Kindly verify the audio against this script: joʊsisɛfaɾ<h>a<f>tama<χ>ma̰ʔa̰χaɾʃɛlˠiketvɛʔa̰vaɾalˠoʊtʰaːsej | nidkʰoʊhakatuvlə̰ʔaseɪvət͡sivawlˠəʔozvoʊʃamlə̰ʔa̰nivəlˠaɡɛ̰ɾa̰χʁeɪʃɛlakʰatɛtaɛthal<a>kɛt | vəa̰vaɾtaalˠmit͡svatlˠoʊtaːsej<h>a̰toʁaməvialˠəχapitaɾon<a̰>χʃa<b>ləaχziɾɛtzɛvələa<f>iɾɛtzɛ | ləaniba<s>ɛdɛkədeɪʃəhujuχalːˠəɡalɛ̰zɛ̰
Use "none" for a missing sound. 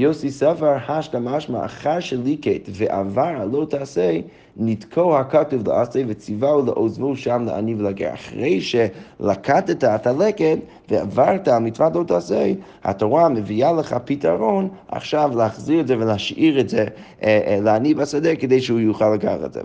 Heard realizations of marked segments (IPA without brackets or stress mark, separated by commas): h, ʃ, ʃ, ɛ, h, a̰, v, ʃ, s